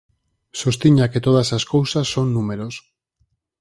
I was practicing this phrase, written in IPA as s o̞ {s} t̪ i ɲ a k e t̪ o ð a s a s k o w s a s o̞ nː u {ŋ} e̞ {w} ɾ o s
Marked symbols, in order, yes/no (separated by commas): yes, no, no